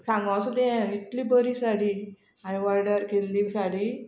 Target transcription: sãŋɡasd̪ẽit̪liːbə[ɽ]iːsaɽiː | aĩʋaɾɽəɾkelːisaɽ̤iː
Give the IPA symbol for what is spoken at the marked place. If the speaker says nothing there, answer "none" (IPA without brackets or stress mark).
ɾ